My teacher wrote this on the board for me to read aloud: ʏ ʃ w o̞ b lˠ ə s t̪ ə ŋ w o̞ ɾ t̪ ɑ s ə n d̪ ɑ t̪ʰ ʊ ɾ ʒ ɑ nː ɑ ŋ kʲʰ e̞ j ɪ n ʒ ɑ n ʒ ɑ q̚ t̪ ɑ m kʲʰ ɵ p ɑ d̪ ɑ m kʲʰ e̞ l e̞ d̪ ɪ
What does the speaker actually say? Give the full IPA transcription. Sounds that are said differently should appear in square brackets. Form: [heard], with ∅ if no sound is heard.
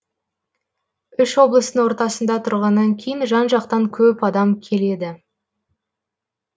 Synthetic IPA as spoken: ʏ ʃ w o̞ b lˠ ə s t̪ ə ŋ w o̞ ɾ t̪ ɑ s ə n d̪ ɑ t̪ʰ ʊ ɾ [ʁ] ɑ nː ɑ ŋ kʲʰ e̞ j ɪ n ʒ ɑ n ʒ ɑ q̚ t̪ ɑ [ŋ] kʲʰ ɵ p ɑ d̪ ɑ m kʲʰ e̞ l e̞ d̪ ɪ